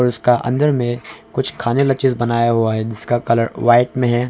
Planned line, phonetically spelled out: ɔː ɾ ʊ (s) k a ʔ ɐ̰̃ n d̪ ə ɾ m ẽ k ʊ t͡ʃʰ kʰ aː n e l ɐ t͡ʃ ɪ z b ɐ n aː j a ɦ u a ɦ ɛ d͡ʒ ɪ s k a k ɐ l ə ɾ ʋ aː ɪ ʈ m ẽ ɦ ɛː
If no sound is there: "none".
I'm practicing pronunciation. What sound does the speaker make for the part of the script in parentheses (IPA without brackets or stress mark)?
s